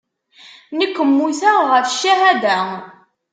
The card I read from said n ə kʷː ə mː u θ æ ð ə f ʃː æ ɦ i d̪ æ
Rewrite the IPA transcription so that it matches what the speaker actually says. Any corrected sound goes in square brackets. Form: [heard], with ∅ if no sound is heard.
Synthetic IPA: n ə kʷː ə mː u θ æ [ʁ] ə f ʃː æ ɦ [æ] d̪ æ